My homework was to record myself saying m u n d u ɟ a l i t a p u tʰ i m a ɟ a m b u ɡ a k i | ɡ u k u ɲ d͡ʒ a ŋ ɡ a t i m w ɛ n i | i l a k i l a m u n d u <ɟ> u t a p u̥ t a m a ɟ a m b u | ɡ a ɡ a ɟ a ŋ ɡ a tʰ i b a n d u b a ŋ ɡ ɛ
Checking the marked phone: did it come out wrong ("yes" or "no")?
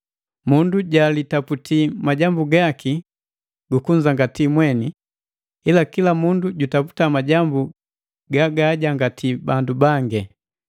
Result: no